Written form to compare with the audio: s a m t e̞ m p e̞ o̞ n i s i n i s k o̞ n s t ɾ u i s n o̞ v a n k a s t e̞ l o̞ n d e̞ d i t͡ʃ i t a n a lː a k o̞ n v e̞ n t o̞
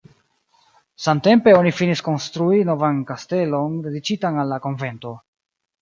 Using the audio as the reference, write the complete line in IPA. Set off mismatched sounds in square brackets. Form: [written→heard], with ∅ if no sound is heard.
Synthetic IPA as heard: s a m t e̞ m p e̞ o̞ n i [s→f] i n i s k o̞ n s t ɾ u i [s→∅] n o̞ v a n k a s t e̞ l o̞ n d e̞ d i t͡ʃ i t a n a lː a k o̞ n v e̞ n t o̞